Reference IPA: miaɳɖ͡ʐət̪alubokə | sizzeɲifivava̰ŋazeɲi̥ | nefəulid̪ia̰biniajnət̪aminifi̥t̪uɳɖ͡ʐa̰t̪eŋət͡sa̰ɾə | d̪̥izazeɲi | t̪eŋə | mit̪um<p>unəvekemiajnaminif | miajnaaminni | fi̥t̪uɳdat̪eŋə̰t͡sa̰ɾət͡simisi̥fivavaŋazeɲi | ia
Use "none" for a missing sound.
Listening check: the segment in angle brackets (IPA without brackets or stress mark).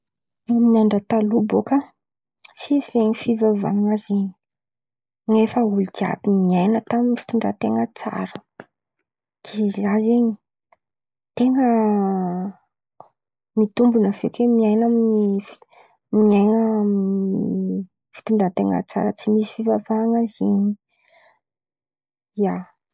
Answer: b